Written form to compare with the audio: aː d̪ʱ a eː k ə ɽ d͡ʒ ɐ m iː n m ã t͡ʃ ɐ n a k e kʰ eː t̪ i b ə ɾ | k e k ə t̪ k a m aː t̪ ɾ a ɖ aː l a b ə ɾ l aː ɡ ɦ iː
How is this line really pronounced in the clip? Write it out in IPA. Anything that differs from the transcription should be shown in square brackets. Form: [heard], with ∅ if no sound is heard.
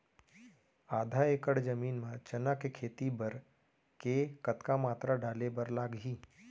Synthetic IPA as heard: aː d̪ʱ a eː k ə ɽ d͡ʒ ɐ m iː n m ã t͡ʃ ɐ n a k e kʰ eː t̪ i b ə ɾ | k e k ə t̪ k a m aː t̪ ɾ a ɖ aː l [e] b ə ɾ l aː ɡ ɦ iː